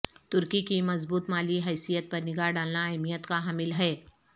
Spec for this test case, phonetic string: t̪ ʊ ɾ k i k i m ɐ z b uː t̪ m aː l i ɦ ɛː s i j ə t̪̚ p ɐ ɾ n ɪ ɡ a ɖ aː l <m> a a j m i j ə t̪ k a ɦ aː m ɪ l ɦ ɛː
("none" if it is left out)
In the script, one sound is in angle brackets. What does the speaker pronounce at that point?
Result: n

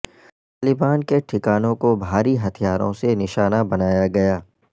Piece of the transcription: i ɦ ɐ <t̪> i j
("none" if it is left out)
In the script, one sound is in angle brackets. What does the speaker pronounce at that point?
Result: t̪ʰ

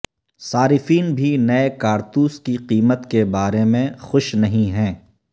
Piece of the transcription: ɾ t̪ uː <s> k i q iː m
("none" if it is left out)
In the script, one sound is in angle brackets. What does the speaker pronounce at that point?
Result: s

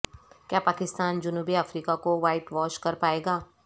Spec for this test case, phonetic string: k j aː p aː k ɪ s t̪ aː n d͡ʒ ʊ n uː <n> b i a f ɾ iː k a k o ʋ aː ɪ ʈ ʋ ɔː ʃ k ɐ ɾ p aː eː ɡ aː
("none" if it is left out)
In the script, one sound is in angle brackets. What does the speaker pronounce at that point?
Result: none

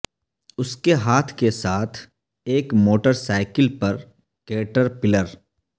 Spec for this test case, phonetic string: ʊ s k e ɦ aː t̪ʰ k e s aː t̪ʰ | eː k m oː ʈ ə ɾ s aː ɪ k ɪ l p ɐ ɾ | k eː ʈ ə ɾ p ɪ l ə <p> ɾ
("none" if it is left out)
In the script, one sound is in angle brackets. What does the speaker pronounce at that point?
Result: none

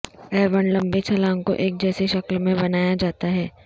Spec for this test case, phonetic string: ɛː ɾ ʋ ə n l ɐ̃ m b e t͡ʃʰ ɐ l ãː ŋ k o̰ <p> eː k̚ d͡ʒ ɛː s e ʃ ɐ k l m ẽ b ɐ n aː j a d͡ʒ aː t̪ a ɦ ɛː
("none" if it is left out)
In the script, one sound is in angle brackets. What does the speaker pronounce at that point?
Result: ʔ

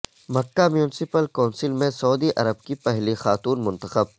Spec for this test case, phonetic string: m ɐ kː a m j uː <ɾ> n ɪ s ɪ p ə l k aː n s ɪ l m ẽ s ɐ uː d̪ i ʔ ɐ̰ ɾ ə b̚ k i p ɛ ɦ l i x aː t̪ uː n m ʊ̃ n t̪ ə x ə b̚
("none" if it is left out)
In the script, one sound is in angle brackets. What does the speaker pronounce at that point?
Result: none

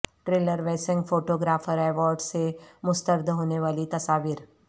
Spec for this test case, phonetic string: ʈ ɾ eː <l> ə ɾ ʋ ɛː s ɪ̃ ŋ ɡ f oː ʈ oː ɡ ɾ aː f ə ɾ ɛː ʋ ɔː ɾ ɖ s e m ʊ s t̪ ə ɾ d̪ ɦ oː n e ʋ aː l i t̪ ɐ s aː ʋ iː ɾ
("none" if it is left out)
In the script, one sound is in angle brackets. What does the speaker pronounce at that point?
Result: l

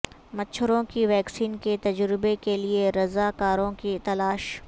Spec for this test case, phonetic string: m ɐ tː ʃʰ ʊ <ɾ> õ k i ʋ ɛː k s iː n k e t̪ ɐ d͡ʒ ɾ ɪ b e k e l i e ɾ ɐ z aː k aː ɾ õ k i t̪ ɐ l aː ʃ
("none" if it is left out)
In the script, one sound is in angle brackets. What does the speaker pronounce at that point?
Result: ɾ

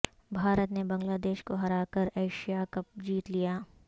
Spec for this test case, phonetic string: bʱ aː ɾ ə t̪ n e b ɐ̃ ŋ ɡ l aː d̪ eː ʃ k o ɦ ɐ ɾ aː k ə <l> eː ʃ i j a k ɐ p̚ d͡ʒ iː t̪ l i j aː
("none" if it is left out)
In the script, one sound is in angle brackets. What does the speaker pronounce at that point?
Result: ɾ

